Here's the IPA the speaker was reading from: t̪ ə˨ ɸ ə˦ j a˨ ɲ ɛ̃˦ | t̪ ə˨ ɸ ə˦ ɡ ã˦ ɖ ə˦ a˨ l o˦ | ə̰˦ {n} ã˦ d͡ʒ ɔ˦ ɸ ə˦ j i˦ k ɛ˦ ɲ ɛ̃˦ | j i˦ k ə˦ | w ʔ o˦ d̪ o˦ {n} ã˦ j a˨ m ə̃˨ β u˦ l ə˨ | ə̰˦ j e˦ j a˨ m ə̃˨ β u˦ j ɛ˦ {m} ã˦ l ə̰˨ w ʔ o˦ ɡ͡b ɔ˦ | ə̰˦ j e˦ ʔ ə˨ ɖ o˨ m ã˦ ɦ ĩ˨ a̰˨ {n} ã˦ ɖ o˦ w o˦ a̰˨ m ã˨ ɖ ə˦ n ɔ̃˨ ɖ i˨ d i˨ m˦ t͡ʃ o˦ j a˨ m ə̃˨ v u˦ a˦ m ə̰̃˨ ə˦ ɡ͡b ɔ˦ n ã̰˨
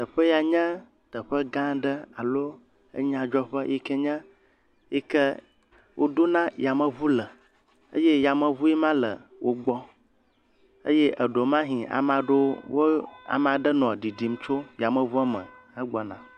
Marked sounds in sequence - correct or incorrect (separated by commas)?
incorrect, correct, correct, incorrect